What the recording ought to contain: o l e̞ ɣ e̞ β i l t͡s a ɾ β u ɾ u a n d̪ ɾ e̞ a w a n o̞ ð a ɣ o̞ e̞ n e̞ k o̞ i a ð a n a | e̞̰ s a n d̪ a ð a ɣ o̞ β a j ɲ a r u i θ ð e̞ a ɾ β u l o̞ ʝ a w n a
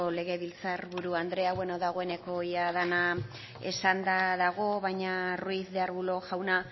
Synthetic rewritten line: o l e̞ ɣ e̞ β i l t͡s a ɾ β u ɾ u a n d̪ ɾ e̞ a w e n o̞ ð a ɣ o̞ e̞ n e̞ k o̞ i a ð a n a | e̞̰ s a n d̪ a ð a ɣ o̞ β a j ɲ a r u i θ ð e̞ a ɾ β u l o̞ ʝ a w n a